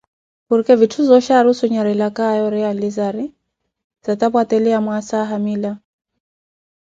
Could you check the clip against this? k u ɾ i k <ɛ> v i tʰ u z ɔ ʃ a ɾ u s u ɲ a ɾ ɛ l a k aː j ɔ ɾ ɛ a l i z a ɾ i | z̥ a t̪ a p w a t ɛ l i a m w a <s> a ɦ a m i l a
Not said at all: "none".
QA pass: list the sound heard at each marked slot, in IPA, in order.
ɛ, s

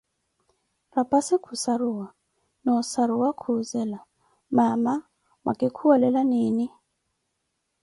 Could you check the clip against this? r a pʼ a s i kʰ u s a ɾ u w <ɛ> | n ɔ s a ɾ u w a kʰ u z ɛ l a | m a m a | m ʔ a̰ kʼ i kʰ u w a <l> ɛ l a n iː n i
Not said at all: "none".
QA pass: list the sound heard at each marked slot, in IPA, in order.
a, l

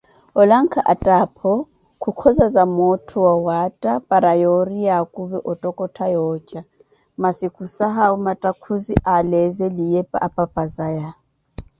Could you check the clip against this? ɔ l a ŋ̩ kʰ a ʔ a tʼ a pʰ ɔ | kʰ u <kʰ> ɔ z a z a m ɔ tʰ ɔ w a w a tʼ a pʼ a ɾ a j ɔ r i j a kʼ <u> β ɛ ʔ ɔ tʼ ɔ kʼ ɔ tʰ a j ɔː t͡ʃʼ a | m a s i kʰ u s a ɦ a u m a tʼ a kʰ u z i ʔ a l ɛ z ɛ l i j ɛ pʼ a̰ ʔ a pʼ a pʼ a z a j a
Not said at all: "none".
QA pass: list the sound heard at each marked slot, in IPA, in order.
kʰ, u

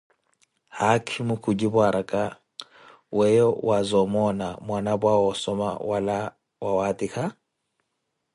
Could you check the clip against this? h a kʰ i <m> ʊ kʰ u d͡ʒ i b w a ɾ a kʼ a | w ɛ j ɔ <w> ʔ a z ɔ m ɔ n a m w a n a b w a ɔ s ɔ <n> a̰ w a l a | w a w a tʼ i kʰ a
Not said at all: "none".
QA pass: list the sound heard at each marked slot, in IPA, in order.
m, w, m

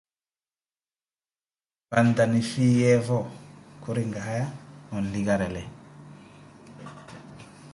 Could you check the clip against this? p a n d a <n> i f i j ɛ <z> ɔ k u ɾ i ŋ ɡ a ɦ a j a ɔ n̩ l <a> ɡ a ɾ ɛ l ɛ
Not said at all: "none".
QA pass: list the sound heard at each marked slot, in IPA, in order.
n, v, i

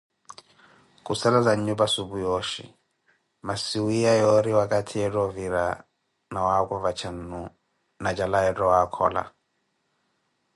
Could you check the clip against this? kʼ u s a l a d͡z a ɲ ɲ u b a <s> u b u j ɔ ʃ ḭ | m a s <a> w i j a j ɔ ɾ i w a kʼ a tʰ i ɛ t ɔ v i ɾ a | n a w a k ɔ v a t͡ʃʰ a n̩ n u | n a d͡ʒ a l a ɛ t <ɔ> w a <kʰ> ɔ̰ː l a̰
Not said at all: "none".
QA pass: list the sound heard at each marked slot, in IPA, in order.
s, i, ɔ, kʰ

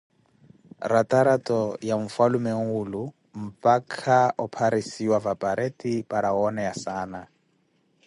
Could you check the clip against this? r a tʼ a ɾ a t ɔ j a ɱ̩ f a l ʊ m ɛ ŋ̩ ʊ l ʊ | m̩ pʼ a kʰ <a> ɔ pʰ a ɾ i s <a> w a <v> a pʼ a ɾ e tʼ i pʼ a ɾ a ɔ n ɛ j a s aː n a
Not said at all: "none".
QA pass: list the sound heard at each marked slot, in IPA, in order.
a, i, v

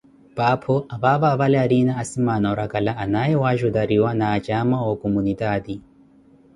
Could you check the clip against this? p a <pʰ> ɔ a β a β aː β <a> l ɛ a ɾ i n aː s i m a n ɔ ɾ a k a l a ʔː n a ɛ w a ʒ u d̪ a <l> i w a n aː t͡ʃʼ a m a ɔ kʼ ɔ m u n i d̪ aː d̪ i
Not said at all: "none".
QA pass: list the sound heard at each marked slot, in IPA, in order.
pʰ, a, ɾ

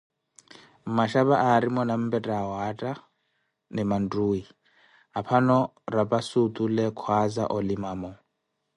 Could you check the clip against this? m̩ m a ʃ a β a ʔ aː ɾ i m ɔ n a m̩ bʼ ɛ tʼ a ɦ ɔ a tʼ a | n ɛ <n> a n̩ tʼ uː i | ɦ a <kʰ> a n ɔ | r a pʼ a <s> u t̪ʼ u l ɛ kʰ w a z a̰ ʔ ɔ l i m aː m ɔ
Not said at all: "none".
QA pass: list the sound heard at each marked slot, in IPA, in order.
m, pʰ, s

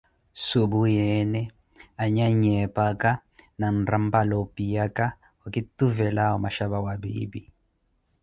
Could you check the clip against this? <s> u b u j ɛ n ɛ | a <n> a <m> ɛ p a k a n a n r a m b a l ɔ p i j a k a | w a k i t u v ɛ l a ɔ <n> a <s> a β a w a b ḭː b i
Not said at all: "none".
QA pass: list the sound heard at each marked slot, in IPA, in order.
s, ɲ, ɲ, m, ʃ

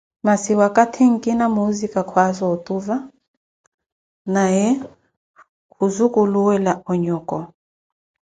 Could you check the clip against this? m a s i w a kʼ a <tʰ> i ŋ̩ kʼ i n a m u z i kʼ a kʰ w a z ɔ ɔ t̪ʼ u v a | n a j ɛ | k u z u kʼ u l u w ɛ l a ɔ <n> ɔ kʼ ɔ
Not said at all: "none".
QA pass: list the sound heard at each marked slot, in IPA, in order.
tʰ, ɲ

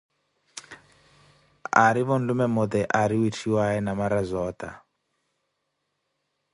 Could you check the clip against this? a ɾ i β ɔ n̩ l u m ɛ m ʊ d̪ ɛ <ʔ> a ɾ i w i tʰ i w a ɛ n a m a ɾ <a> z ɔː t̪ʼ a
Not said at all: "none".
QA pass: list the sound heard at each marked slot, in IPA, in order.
ʔ, a

